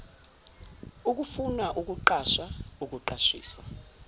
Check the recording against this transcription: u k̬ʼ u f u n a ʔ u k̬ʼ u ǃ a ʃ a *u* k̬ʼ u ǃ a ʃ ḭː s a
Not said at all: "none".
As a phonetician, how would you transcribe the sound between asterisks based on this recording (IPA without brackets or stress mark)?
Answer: u